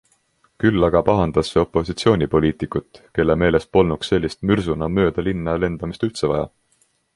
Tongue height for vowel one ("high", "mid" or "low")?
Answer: high